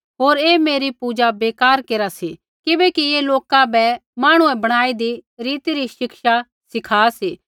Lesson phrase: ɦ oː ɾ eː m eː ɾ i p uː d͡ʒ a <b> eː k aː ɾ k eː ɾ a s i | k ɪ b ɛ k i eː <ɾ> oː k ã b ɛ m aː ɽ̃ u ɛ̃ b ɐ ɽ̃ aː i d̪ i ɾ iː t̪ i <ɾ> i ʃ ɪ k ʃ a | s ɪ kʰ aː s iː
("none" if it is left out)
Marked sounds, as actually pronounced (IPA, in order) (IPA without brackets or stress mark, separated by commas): b, l, ɾ